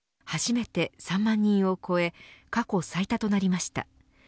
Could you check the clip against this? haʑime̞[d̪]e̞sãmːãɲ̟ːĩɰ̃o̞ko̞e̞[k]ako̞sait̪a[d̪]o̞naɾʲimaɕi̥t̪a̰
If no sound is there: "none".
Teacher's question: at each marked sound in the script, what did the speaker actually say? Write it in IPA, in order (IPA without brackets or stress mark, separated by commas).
t̪, k, t̪